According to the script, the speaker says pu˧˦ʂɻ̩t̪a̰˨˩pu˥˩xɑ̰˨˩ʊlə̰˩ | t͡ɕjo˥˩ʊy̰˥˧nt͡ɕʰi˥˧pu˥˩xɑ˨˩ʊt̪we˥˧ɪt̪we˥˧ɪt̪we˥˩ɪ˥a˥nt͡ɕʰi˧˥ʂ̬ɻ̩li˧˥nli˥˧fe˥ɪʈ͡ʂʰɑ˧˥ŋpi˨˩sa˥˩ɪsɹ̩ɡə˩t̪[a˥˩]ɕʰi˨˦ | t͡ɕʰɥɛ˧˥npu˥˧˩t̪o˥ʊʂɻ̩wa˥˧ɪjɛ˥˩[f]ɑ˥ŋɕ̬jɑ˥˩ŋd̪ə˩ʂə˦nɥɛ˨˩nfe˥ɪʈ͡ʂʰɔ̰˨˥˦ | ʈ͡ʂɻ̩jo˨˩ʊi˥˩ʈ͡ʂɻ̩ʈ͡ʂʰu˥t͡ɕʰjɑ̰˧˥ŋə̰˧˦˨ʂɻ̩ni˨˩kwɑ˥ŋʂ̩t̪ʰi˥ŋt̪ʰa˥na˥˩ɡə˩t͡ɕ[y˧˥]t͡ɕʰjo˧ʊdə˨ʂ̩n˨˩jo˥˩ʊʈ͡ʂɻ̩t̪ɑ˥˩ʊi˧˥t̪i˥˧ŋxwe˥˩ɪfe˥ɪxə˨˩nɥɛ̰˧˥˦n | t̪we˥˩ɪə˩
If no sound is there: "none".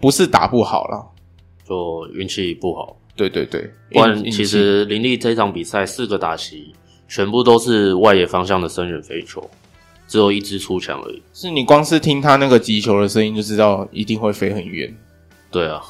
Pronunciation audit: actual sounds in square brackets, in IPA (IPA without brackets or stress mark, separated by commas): a˨˩, f, i˧˥